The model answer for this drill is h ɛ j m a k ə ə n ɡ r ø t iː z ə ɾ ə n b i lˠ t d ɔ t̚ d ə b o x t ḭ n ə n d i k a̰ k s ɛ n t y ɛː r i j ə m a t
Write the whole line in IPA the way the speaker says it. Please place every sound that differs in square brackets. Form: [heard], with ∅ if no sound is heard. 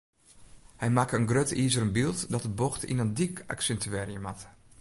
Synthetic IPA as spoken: h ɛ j m a k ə ə n ɡ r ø t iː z ə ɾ ə n b i lˠ t d ɔ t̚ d ə b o x t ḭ n ə n d i k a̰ k s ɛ n t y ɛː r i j ə m a t